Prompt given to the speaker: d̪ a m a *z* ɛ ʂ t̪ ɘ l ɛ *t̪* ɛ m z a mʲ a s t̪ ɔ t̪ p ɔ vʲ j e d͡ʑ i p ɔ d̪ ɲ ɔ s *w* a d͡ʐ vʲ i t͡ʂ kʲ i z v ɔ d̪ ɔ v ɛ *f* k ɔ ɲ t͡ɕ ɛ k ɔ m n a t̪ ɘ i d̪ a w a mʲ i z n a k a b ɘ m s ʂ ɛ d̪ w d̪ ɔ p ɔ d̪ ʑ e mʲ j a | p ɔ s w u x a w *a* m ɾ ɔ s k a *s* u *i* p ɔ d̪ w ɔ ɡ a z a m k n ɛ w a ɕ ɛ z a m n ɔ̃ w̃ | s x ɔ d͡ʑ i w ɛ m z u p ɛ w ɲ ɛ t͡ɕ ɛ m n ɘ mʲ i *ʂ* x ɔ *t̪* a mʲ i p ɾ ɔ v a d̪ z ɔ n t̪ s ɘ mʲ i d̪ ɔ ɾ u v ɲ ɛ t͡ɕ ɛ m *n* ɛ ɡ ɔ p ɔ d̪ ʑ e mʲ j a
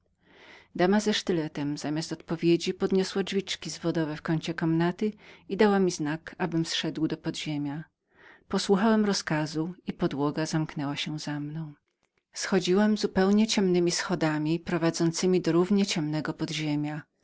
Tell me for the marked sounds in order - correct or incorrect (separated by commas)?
correct, correct, correct, correct, incorrect, incorrect, correct, incorrect, incorrect, correct